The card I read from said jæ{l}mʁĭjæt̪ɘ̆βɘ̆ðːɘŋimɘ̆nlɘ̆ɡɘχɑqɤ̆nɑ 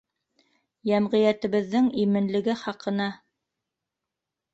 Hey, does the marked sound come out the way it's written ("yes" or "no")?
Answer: no